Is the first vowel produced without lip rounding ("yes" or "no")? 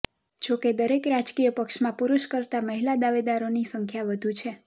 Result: no